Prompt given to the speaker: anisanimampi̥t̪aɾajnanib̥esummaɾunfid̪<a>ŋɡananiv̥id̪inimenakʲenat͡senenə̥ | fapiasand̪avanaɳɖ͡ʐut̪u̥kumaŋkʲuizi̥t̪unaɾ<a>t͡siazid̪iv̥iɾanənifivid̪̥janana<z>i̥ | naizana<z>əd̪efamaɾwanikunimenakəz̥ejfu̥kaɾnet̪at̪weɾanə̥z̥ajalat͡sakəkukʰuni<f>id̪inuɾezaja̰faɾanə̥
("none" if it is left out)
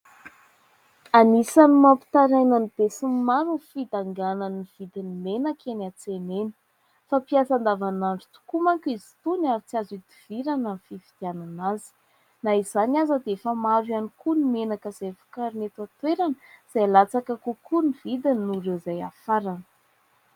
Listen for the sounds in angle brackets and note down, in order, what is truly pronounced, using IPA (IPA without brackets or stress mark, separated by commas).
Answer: a, i, z, z, v